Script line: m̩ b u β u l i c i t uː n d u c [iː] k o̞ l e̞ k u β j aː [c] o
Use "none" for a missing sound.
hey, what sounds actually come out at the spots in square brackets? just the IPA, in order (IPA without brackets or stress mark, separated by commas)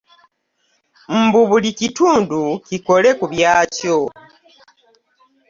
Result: i, c